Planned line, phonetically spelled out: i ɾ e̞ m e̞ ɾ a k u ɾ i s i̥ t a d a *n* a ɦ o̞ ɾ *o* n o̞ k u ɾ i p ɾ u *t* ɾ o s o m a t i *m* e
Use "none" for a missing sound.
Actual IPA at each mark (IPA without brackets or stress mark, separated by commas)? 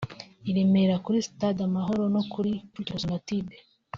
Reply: m, o, t, b